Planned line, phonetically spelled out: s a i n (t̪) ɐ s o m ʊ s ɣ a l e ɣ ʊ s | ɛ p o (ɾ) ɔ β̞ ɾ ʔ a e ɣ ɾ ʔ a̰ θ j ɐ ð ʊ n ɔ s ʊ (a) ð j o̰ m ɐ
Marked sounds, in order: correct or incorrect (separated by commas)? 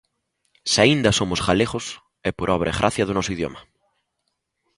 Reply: incorrect, correct, incorrect